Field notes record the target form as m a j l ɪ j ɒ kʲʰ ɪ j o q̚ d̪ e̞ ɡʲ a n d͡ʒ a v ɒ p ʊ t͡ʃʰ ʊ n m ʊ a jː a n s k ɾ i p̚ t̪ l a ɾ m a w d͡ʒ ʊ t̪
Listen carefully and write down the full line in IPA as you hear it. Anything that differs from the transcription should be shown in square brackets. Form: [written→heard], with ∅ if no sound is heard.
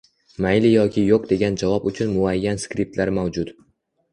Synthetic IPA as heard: m a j l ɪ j ɒ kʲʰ ɪ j o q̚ d̪ e̞ ɡʲ a n d͡ʒ a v ɒ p ʊ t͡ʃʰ ʊ n m ʊ a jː a n s k ɾ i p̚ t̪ l a ɾ m a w d͡ʒ ʊ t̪